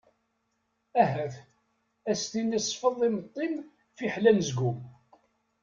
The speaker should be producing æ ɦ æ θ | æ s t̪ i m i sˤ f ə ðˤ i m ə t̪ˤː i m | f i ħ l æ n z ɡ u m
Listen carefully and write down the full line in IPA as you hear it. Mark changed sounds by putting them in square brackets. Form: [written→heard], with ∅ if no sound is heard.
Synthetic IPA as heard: æ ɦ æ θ | æ s t̪ i [m→n] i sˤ f ə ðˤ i m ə t̪ˤː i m | f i ħ l æ n z ɡ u m